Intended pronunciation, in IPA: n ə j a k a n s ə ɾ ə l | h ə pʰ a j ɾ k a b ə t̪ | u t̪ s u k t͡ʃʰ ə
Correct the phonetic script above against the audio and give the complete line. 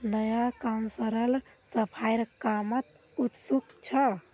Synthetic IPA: n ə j a k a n s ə ɾ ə l | s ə pʰ a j ɾ k a m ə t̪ | u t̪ s u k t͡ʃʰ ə